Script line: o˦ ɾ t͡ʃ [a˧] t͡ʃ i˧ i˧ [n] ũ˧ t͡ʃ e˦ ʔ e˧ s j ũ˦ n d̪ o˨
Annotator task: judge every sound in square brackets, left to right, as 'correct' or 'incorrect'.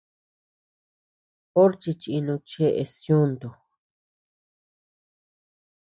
incorrect, correct

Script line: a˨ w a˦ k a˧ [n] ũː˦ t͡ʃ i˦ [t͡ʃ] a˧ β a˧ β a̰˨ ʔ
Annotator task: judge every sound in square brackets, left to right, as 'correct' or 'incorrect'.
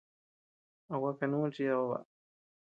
correct, incorrect

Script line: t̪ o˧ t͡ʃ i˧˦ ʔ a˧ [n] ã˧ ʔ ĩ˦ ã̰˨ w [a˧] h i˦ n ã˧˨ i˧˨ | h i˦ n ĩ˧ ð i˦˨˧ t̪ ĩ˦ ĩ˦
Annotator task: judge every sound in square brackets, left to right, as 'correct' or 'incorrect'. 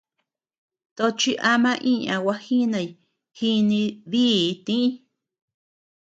incorrect, correct

